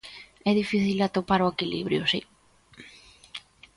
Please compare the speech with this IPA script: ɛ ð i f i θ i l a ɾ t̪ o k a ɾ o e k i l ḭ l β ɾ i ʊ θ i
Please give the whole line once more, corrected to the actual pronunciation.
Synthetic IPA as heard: ɛ ð i f i θ i l a t̪ o p a ɾ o e k i l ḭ β ɾ j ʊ s i